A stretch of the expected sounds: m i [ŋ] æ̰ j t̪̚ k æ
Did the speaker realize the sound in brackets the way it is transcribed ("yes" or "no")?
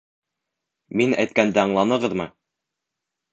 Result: no